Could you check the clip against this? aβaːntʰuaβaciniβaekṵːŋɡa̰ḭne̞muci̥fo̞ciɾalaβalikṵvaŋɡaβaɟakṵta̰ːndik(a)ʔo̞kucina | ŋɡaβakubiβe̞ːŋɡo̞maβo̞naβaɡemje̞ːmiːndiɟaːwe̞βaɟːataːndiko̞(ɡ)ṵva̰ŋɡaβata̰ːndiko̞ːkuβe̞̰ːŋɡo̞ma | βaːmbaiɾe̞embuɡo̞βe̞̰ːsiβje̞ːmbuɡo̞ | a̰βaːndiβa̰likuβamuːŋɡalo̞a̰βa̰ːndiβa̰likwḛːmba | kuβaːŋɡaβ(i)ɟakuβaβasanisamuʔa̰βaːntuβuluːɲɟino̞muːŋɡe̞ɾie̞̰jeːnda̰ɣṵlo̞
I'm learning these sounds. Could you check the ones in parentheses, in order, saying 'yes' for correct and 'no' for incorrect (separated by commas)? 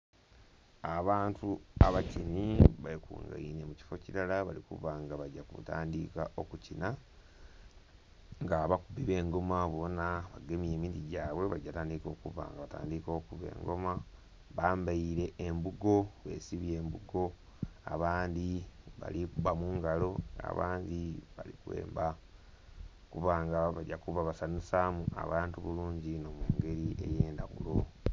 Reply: yes, no, no